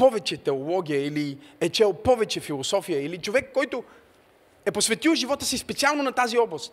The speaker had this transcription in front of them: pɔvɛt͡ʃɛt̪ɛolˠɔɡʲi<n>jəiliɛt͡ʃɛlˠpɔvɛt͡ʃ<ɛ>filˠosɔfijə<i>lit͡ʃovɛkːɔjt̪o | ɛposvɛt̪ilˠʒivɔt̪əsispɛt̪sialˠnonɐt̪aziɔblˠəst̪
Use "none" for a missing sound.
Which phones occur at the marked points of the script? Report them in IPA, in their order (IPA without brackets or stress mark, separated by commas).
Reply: none, ɛ, i